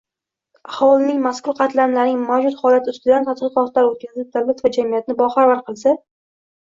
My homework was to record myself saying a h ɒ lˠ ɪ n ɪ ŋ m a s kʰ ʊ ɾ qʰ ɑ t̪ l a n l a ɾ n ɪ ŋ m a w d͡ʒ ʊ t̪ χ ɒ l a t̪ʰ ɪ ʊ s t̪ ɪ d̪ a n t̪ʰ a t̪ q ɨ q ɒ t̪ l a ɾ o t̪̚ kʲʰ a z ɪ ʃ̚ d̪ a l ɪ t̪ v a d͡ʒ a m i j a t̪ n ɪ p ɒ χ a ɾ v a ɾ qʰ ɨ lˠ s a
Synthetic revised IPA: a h ɒ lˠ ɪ n ɪ ŋ m a s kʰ ʊ ɾ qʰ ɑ t̪ l a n l a ɾ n ɪ ŋ m a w d͡ʒ ʊ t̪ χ ɒ l a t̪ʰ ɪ ʊ s t̪ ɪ d̪ a n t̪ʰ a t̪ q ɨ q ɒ t̪ l a ɾ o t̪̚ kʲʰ a z ɪ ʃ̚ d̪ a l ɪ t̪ v a d͡ʒ a m i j a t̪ n ɪ b ɒ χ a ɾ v a ɾ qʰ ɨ lˠ s a